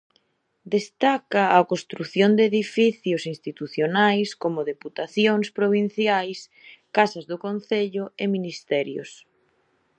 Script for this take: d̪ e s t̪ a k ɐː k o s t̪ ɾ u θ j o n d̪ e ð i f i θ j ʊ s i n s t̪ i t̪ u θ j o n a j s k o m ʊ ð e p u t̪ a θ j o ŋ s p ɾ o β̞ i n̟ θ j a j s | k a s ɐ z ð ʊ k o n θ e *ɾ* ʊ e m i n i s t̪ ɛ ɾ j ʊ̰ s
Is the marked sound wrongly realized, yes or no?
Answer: yes